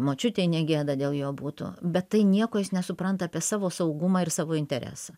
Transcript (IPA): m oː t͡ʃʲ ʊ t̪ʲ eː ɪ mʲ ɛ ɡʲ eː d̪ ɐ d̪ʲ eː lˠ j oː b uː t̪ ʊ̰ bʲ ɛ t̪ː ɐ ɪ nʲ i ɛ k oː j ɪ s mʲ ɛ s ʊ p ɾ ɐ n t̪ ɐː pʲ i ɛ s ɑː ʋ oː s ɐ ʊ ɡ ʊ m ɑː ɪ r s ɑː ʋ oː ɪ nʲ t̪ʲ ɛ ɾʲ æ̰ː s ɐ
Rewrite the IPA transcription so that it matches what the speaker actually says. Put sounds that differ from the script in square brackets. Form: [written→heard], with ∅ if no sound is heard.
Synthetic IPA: m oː t͡ʃʲ ʊ t̪ʲ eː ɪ [mʲ→nʲ] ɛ ɡʲ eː d̪ ɐ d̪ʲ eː lˠ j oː b uː t̪ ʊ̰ bʲ ɛ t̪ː ɐ ɪ nʲ i ɛ k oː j ɪ s [mʲ→nʲ] ɛ s ʊ p ɾ ɐ n t̪ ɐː pʲ i ɛ s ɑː ʋ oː s ɐ ʊ ɡ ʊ m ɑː ɪ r s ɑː ʋ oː ɪ nʲ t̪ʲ ɛ ɾʲ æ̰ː s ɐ

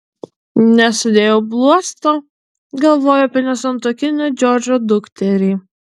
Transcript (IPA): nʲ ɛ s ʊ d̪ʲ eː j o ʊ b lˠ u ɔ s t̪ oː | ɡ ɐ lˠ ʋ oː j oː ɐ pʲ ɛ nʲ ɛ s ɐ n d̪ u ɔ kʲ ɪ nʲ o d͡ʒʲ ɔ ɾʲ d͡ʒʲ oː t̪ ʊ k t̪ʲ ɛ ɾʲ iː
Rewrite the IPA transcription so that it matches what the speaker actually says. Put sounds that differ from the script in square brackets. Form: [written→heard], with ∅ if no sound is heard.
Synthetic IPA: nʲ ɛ s ʊ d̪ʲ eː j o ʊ b lˠ u ɔ s t̪ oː | ɡ ɐ lˠ ʋ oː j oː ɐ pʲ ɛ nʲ ɛ s ɐ n [d̪→t̪] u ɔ kʲ ɪ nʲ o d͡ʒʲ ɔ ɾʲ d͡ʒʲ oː [t̪→d̪] ʊ k t̪ʲ ɛ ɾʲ iː

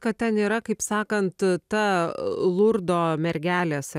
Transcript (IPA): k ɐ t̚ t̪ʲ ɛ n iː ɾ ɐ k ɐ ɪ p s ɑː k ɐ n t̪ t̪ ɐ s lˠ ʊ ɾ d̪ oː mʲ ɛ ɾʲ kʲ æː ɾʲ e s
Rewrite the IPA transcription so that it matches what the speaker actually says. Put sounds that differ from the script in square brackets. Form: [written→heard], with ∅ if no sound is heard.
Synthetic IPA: k ɐ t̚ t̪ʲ ɛ n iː ɾ ɐ k ɐ ɪ p s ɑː k ɐ n t̪ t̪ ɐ [s→∅] lˠ ʊ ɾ d̪ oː mʲ ɛ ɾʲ [kʲ→ɡʲ] æː [ɾʲ→lʲ] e s

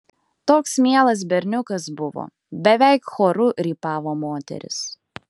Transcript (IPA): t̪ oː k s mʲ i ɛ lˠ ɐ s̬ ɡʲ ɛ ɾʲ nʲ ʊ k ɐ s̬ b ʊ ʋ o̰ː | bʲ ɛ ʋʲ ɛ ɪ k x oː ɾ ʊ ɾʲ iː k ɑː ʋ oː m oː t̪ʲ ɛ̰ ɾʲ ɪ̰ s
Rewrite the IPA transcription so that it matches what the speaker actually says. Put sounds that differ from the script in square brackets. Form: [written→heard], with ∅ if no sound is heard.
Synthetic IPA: t̪ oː k s mʲ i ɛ lˠ ɐ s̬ [ɡʲ→bʲ] ɛ ɾʲ nʲ ʊ k ɐ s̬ b ʊ ʋ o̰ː | bʲ ɛ ʋʲ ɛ ɪ k x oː ɾ ʊ ɾʲ iː [k→p] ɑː ʋ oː m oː t̪ʲ ɛ̰ ɾʲ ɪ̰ s

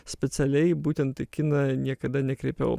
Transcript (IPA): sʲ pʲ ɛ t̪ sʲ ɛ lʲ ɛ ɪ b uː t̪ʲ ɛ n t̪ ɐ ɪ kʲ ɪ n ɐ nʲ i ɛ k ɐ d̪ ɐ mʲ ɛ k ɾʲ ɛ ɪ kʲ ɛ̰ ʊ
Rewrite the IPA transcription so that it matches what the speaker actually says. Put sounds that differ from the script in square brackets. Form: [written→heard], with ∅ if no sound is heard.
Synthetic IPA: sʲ pʲ ɛ t̪ sʲ ɛ lʲ ɛ ɪ b uː t̪ʲ ɛ n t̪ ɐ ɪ kʲ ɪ n ɐ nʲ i ɛ k ɐ d̪ ɐ [mʲ→nʲ] ɛ k ɾʲ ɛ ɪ [kʲ→pʲ] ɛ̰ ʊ

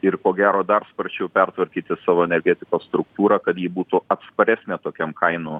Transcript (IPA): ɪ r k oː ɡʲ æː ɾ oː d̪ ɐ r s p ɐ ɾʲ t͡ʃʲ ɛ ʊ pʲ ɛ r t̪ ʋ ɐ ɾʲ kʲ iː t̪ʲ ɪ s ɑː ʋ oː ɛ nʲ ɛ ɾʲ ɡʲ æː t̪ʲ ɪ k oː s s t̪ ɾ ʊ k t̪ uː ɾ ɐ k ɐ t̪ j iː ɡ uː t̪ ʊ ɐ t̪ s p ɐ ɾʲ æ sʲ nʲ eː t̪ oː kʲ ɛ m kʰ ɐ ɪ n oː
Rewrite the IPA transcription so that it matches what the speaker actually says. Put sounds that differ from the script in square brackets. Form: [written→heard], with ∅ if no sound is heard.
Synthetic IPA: ɪ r k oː ɡʲ æː ɾ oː d̪ ɐ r s p ɐ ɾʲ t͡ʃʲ ɛ ʊ pʲ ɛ r t̪ ʋ ɐ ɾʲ kʲ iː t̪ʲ ɪ s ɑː ʋ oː ɛ nʲ ɛ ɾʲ ɡʲ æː t̪ʲ ɪ k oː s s t̪ ɾ ʊ k t̪ uː ɾ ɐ k ɐ t̪ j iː [ɡ→b] uː t̪ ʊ ɐ t̪ s p ɐ ɾʲ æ sʲ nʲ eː t̪ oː kʲ ɛ m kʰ ɐ ɪ n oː

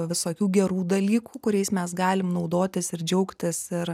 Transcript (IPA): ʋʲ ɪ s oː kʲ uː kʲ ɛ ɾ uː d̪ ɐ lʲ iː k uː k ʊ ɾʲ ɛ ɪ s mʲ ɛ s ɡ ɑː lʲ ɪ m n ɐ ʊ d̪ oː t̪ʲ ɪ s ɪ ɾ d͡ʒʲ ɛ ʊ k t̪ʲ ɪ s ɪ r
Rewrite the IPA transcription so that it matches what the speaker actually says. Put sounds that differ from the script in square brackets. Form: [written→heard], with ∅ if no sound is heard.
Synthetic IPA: ʋʲ ɪ s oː kʲ uː [kʲ→ɡʲ] ɛ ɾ uː d̪ ɐ lʲ iː k uː k ʊ ɾʲ ɛ ɪ s mʲ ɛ s ɡ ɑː lʲ ɪ m n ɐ ʊ d̪ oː t̪ʲ ɪ s ɪ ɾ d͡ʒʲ ɛ ʊ k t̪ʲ ɪ s ɪ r

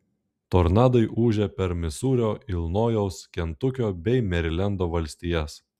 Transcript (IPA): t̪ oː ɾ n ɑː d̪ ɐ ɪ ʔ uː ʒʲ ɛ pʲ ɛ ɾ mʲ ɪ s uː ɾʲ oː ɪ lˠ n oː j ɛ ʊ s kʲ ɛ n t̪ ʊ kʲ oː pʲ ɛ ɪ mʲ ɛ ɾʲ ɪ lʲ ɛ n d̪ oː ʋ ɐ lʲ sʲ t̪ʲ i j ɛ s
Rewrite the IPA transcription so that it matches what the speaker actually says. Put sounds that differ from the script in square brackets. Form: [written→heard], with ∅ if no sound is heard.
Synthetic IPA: t̪ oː ɾ n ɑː d̪ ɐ ɪ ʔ uː ʒʲ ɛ pʲ ɛ ɾ mʲ ɪ s uː ɾʲ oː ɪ lˠ n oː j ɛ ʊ s kʲ ɛ n t̪ ʊ kʲ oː [pʲ→bʲ] ɛ ɪ mʲ ɛ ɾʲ ɪ lʲ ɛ n d̪ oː ʋ ɐ lʲ sʲ t̪ʲ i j ɛ s

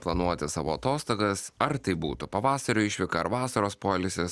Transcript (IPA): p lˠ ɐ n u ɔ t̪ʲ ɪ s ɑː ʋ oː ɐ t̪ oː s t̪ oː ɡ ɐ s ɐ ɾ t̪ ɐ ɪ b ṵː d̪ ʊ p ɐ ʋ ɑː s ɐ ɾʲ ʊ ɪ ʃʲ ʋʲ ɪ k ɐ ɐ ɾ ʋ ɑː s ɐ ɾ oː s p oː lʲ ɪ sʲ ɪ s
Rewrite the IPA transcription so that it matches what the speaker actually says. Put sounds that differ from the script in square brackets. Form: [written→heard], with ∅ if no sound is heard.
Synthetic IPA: p lˠ ɐ n u ɔ t̪ʲ ɪ s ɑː ʋ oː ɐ t̪ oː s t̪ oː ɡ ɐ s ɐ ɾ t̪ ɐ ɪ b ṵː [d̪→t̪] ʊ p ɐ ʋ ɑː s ɐ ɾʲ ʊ ɪ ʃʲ ʋʲ ɪ k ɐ ɐ ɾ ʋ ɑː s ɐ ɾ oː s p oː lʲ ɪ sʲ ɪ s

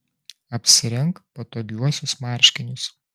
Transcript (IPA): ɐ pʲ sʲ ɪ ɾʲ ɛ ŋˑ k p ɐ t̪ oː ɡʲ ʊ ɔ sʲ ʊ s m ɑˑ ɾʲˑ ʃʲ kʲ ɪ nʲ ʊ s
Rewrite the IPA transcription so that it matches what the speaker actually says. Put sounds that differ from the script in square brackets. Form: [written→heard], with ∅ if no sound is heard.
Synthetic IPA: ɐ pʲ sʲ ɪ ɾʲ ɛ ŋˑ k p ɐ t̪ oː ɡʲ [ʊ→u] ɔ sʲ ʊ s m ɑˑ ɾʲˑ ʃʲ kʲ ɪ nʲ ʊ s

